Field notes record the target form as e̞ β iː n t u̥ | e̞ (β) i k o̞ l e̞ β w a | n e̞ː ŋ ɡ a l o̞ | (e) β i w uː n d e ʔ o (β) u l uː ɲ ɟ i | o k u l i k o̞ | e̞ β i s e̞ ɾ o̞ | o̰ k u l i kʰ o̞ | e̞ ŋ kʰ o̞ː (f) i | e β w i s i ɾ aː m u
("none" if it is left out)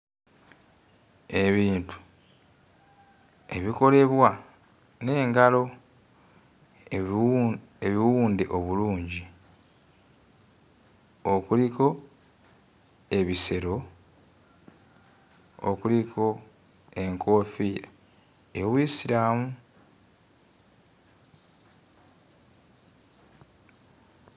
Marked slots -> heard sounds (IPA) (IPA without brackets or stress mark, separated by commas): β, e, β, f